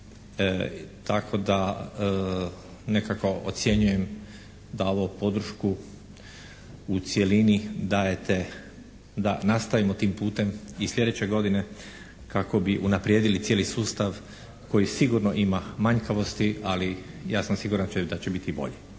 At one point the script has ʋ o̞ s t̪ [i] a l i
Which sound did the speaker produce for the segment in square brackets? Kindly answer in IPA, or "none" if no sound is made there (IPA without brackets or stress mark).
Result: i